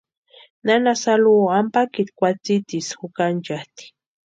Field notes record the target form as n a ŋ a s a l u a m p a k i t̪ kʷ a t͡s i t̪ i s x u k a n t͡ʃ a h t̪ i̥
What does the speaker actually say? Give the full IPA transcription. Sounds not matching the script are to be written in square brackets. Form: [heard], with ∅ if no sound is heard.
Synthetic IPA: n a [n] a s a l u a m p a k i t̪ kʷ a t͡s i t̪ i s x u k a n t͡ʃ a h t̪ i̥